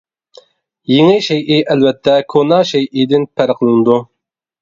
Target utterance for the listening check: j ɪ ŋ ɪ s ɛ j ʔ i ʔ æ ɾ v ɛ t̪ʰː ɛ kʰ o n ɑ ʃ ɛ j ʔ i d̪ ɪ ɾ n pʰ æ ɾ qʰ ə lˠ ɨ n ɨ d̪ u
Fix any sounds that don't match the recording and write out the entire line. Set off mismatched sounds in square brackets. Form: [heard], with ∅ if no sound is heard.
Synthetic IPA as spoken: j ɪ ŋ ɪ [ʃ] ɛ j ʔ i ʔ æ [l] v ɛ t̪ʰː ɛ kʰ o n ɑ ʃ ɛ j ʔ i d̪ ɪ [∅] n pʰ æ ɾ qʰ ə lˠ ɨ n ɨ d̪ u